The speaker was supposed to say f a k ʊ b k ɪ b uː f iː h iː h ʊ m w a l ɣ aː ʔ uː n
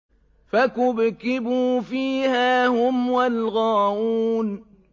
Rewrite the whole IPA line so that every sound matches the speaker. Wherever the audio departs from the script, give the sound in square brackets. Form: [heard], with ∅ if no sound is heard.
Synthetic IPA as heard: f a k ʊ b k ɪ b uː f iː h [aː] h ʊ m w a l ɣ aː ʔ uː n